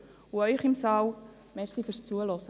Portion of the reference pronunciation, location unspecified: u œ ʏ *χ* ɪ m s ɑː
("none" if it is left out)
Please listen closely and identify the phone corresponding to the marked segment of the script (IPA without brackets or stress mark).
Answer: χ